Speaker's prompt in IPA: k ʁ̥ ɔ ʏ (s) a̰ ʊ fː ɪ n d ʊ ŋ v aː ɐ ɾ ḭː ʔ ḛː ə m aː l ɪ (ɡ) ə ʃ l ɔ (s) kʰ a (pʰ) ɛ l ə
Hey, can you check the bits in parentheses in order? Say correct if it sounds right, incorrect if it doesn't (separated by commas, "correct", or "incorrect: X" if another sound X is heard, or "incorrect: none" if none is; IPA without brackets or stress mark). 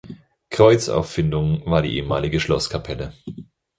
incorrect: t͡s, correct, correct, correct